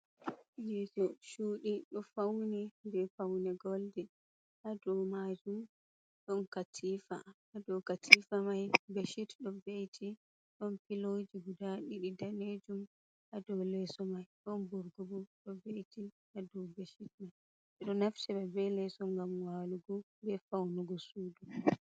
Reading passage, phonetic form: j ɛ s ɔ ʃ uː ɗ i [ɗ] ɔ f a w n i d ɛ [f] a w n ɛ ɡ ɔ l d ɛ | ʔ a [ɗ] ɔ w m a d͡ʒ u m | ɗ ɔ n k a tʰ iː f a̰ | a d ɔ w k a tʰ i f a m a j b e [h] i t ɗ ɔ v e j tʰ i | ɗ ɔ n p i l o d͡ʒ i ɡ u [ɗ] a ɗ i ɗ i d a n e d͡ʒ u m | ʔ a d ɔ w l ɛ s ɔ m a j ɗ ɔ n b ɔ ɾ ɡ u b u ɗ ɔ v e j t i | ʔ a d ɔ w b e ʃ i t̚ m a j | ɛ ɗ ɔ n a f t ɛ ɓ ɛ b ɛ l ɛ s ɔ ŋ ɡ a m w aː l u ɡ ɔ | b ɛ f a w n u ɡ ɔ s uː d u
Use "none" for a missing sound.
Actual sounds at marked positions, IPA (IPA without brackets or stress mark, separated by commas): ɗ, f, d, ʃ, d